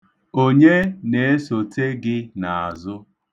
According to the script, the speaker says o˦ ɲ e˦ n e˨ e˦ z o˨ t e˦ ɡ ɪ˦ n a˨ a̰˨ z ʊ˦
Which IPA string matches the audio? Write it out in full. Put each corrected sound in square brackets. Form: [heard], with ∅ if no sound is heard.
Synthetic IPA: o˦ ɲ e˦ n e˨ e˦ [s] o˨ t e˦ ɡ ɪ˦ n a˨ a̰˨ z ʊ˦